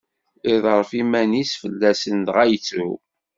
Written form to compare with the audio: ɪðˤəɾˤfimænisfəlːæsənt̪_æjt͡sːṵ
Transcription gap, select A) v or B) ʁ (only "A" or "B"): B